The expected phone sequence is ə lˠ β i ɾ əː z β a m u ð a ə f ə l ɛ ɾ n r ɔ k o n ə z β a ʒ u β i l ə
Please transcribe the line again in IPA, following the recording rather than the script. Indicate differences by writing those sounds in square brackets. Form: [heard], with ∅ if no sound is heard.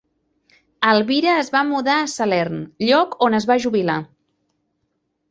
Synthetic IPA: ə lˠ β i ɾ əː z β a m u ð a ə [s] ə l ɛ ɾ n [ʎ] ɔ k o n ə z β a ʒ u β i l [a]